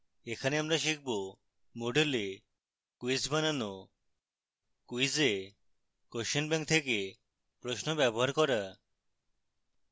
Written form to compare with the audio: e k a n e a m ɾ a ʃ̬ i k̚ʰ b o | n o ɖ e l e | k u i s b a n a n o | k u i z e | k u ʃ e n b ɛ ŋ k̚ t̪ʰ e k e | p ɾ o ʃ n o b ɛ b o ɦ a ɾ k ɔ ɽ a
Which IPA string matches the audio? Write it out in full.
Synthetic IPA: e kʰ a n e a m ɾ a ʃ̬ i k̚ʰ b o | m o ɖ e l e | k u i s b a n a n o | k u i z e | k o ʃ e n b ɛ ŋ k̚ t̪ʰ e k e | p ɾ o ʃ n o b ɛ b o ɦ a ɾ k ɔ ɾ a